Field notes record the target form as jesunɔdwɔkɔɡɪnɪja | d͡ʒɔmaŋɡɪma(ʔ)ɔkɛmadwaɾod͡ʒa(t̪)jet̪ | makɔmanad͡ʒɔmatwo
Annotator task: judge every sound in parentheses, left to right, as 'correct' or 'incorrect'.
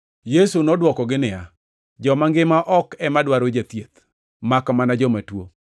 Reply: correct, correct

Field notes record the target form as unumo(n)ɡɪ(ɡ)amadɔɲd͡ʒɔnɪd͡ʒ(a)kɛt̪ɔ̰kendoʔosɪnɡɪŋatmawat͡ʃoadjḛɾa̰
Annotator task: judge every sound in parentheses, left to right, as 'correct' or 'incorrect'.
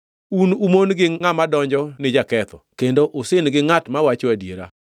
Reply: correct, incorrect: ŋ, correct

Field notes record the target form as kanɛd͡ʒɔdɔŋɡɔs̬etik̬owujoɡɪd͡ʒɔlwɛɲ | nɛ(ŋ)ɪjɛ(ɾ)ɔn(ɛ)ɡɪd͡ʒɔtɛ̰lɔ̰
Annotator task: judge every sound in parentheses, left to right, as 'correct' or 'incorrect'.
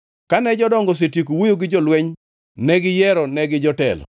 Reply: incorrect: ɡ, correct, correct

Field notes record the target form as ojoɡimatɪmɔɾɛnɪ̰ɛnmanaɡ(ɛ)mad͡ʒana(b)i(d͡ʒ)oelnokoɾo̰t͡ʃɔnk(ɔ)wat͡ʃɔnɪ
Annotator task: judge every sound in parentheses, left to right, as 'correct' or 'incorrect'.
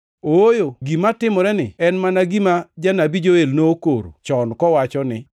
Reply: incorrect: i, correct, correct, correct

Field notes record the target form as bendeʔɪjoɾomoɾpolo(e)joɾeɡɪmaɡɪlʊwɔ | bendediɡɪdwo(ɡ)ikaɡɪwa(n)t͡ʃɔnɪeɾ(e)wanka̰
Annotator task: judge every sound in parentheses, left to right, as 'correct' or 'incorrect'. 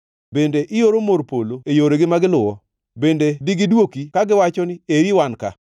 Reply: correct, incorrect: k, incorrect: none, incorrect: i

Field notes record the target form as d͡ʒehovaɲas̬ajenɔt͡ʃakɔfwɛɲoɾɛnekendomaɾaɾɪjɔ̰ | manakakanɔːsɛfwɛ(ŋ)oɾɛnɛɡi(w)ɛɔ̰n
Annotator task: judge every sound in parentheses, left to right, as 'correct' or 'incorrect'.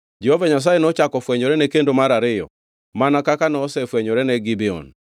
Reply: incorrect: ɲ, incorrect: b

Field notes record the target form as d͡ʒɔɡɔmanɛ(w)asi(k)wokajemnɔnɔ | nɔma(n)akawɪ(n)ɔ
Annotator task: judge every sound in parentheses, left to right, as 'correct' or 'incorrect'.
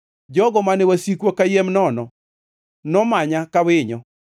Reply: correct, correct, incorrect: ɲ, incorrect: ɲ

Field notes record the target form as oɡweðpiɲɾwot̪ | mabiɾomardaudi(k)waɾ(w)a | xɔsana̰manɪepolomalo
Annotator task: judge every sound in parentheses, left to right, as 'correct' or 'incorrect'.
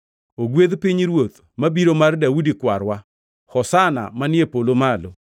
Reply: correct, correct

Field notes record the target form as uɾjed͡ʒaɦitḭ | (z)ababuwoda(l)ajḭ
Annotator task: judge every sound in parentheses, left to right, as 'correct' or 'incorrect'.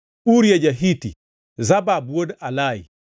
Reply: correct, correct

